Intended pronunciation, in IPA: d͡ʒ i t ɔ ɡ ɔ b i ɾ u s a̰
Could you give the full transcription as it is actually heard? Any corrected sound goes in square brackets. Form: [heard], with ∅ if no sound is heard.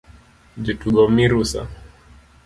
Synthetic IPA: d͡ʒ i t [u] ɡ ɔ [m] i ɾ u s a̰